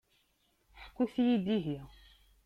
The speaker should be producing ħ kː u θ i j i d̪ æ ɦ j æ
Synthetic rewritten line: ħ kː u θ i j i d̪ i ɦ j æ